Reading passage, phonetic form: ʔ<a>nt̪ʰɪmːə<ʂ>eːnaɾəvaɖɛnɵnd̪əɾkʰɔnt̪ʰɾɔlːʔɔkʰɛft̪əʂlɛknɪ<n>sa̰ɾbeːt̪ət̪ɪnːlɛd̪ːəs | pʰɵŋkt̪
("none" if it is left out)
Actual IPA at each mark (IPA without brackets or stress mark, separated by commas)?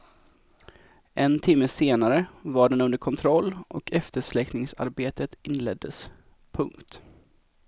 ɛ, s, ŋ